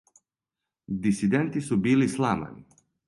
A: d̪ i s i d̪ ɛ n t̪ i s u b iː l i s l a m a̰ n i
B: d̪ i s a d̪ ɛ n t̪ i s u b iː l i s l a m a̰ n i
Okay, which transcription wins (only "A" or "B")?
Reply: A